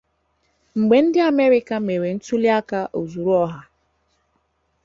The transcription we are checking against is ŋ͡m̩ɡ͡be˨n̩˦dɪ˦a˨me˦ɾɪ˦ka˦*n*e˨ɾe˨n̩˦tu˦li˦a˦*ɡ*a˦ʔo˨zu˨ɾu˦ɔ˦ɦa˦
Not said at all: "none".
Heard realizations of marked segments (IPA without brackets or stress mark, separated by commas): m, k